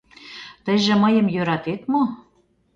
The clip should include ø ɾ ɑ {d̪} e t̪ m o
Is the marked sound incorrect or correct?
incorrect: t̪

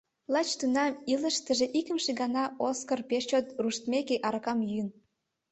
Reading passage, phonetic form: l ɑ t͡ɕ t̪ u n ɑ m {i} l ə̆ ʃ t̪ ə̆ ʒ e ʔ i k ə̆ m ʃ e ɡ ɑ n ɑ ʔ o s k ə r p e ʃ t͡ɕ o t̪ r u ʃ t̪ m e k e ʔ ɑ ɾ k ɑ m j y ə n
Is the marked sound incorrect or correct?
correct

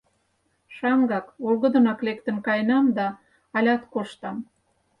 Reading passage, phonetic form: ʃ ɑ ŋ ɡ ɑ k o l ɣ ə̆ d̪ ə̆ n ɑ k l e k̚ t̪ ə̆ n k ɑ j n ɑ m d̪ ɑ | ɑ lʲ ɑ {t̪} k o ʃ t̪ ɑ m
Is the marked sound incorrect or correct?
correct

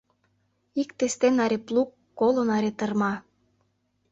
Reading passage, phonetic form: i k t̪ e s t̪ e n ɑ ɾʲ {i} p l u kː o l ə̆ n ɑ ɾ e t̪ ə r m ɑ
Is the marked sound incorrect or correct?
incorrect: e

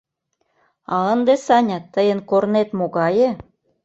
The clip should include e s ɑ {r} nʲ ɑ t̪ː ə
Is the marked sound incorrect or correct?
incorrect: none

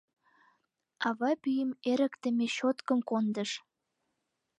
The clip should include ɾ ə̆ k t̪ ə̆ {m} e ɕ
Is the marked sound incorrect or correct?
correct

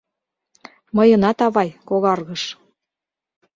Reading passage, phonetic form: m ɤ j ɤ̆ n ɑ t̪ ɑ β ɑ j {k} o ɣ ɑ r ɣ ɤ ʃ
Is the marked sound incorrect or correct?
correct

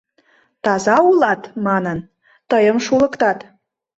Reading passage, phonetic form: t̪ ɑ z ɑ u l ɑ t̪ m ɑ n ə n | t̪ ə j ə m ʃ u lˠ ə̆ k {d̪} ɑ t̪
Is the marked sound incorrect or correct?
incorrect: t̪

